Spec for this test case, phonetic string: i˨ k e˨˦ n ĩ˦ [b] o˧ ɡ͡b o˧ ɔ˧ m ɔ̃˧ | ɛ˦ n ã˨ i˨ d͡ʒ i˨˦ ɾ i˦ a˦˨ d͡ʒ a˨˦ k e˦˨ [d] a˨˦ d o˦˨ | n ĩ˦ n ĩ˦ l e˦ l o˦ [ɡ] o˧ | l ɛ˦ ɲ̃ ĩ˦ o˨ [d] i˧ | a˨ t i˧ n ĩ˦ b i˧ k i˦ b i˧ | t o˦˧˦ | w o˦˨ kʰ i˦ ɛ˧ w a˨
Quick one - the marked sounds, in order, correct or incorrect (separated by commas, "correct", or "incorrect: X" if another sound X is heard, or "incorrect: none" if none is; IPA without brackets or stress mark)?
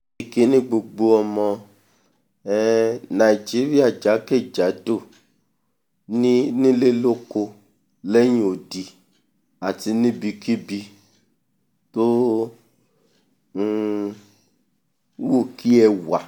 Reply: incorrect: ɡ͡b, incorrect: d͡ʒ, incorrect: k, correct